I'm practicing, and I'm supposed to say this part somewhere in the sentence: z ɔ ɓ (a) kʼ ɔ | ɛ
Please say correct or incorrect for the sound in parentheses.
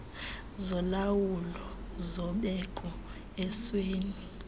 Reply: incorrect